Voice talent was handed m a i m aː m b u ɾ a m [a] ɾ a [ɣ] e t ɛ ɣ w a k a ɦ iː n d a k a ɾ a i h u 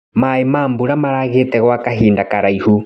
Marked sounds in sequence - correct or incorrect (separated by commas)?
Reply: correct, correct